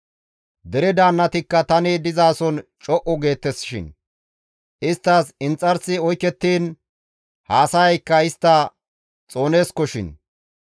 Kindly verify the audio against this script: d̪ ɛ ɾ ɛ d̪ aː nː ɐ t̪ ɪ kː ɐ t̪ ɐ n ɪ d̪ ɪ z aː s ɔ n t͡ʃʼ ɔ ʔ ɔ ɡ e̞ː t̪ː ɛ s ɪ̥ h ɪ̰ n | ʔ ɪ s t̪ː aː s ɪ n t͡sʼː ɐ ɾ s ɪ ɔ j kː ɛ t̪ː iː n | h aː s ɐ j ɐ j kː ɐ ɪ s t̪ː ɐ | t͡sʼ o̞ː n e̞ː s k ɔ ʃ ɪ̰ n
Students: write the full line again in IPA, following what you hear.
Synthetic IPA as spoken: d̪ ɛ ɾ ɛ d̪ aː nː ɐ t̪ ɪ kː ɐ t̪ ɐ n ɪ d̪ ɪ z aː s ɔ n t͡ʃʼ ɔ ʔ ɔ ɡ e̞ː t̪ː ɛ s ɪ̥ ʃ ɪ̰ n | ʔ ɪ s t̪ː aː s ɪ n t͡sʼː ɐ ɾ s ɪ ɔ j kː ɛ t̪ː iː n | h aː s ɐ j ɐ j kː ɐ ɪ s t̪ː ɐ | t͡sʼ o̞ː n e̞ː s k ɔ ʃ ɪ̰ n